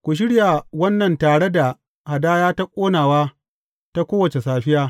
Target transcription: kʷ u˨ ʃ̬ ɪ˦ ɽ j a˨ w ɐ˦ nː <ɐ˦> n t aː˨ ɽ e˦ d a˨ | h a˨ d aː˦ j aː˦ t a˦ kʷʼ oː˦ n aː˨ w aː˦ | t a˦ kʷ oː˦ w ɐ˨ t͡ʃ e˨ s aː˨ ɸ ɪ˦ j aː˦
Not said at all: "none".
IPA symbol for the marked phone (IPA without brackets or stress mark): ɐ˨